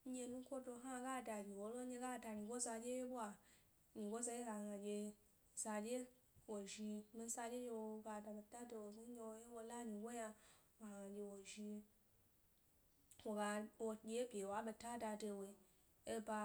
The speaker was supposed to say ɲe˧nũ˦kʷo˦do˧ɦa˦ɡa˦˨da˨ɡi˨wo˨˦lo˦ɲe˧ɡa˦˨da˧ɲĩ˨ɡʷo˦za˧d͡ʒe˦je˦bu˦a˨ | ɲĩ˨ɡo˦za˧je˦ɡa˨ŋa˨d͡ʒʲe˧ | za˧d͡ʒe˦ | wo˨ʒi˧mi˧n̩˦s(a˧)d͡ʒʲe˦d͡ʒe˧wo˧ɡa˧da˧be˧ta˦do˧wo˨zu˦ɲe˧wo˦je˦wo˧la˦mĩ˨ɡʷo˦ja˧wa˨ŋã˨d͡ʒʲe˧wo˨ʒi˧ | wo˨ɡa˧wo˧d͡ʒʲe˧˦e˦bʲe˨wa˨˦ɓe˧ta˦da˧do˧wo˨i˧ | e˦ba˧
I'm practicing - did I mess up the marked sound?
no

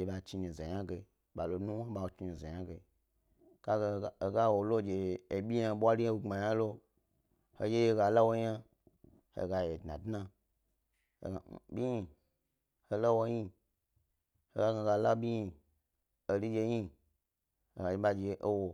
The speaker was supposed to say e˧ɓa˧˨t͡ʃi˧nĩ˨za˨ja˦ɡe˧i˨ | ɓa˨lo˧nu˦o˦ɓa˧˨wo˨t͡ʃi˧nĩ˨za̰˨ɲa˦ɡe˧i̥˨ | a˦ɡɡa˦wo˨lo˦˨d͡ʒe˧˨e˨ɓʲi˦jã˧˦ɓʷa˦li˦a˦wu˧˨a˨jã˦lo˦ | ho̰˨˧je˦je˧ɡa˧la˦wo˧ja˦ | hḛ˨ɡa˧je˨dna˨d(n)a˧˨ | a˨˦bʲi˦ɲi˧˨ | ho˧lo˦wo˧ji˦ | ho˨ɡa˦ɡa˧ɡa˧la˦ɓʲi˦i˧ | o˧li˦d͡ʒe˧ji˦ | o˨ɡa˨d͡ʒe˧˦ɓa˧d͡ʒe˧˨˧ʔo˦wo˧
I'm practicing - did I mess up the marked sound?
no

